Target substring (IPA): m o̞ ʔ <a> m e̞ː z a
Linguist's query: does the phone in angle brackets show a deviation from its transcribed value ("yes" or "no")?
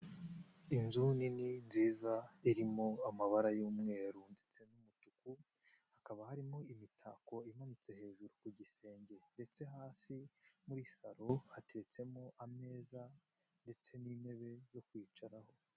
no